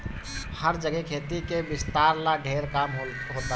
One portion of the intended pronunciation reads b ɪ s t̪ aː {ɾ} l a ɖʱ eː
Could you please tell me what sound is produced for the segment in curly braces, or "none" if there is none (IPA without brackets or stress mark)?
ɾ